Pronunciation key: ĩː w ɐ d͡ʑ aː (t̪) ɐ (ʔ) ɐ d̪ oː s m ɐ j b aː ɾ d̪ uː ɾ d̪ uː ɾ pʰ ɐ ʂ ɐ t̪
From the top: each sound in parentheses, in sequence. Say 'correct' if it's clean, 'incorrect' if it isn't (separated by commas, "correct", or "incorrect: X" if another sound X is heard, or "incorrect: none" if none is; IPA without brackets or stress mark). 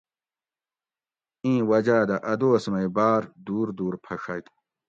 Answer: incorrect: d̪, correct